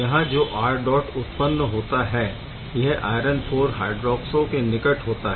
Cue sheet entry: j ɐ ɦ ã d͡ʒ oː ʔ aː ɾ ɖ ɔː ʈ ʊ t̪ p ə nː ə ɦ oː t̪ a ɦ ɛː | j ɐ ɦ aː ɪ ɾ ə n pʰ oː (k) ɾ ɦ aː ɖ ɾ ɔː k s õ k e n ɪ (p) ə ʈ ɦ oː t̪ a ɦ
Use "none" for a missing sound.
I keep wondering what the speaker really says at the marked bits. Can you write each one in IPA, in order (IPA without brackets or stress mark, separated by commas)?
none, k